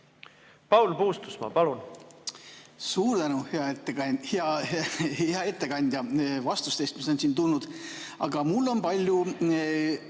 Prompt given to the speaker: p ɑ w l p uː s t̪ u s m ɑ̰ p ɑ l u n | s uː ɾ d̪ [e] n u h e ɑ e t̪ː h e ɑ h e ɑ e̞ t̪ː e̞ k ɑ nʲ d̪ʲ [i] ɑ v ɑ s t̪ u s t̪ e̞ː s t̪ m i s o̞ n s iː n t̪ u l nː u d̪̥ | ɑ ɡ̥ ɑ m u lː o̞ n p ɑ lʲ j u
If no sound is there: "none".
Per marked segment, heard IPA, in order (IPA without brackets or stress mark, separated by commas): æ, j